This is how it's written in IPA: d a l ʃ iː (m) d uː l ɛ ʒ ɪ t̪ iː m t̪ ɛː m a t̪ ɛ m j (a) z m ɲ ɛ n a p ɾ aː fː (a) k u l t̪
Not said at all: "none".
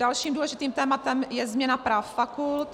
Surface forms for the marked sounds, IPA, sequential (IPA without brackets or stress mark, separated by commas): m, ɛ, a